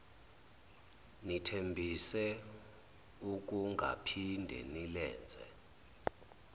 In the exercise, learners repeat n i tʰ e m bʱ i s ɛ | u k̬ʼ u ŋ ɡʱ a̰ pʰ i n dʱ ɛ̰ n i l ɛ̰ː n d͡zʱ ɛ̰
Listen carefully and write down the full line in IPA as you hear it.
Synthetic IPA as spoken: n i tʰ e m bʱ i s ɛ | u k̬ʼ u ŋ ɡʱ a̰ pʰ i n dʱ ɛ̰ n i l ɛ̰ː n d͡zʱ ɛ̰